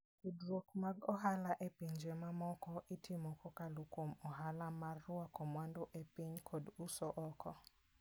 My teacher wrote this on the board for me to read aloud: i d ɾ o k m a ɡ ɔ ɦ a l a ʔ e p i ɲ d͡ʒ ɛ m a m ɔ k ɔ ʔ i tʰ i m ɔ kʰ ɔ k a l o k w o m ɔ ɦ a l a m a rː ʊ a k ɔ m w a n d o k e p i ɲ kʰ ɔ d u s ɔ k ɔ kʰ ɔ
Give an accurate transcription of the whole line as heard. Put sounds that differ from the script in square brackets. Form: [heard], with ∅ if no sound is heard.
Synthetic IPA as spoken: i d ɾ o k m a ɡ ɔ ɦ a l a ʔ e p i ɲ d͡ʒ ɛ m a m ɔ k ɔ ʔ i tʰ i m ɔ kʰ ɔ k a l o k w o m ɔ ɦ a l a m a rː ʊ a k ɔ m w a n d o [ʔ] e p i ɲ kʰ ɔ d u s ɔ [ʔ] ɔ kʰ ɔ